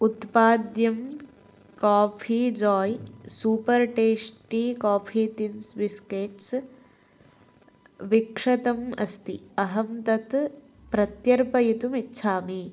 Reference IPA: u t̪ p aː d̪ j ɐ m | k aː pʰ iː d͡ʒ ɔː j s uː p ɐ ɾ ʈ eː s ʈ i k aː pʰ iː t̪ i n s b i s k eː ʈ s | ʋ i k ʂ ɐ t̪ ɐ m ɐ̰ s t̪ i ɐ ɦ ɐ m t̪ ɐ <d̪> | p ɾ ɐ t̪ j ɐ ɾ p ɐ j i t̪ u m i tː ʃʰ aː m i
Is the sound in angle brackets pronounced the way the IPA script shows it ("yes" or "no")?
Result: no